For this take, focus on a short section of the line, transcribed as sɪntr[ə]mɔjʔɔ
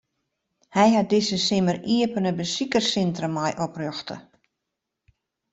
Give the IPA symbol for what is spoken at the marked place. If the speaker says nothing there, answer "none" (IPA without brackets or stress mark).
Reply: ə